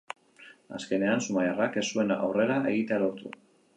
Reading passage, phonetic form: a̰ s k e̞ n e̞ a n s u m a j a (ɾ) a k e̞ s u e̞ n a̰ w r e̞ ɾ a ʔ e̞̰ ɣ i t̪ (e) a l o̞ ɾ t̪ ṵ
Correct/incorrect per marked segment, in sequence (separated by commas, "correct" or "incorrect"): incorrect, correct